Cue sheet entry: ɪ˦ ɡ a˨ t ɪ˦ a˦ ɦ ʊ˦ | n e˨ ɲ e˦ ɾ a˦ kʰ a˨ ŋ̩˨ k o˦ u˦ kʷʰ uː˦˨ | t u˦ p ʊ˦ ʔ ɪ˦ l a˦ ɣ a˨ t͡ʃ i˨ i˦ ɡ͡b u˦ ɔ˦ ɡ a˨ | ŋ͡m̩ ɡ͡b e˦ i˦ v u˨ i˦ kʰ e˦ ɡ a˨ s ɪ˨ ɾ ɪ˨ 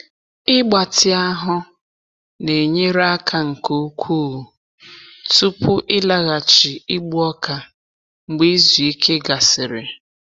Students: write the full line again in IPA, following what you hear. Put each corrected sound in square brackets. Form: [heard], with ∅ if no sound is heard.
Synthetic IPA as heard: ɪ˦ [ɡ͡b] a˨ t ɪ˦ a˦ ɦ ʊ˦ | n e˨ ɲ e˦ ɾ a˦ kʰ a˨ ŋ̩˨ k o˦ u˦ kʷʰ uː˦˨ | t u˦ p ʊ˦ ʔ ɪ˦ l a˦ ɣ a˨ t͡ʃ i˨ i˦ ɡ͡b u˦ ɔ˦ [k] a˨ | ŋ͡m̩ ɡ͡b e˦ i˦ [z] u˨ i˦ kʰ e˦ ɡ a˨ s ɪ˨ ɾ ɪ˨